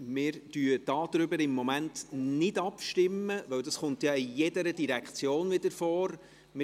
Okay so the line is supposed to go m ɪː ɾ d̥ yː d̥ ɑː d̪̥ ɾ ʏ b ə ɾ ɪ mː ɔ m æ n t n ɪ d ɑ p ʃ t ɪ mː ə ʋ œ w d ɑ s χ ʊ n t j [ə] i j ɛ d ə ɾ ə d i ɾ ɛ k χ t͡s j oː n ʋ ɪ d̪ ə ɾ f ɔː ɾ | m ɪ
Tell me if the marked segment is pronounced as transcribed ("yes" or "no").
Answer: no